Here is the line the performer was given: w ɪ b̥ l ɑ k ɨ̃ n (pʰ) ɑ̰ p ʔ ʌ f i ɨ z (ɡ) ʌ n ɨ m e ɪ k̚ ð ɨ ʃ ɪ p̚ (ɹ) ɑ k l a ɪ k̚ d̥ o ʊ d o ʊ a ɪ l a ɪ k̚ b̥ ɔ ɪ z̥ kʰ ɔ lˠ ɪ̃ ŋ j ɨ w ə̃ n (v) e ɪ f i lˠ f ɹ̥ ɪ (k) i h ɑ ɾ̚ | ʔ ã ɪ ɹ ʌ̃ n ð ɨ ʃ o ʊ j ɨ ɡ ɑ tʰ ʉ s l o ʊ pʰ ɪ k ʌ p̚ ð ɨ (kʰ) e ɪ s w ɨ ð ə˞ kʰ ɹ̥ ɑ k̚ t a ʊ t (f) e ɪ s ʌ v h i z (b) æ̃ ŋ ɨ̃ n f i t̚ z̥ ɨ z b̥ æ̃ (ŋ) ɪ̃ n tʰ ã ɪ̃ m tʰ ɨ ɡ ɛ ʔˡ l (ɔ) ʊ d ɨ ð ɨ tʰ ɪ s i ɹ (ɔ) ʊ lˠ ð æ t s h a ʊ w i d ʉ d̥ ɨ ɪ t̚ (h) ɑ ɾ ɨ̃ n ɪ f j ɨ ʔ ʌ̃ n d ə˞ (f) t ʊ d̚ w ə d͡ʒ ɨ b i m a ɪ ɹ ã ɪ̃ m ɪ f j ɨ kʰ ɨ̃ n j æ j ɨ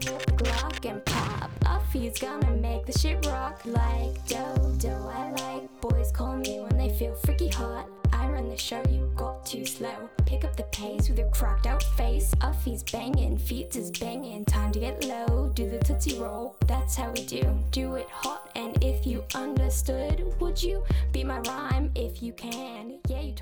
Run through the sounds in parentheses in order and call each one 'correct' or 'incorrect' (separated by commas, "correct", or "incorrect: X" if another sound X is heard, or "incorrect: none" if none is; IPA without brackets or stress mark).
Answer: correct, correct, correct, incorrect: ð, correct, incorrect: pʰ, correct, correct, correct, incorrect: o, incorrect: o, correct, incorrect: s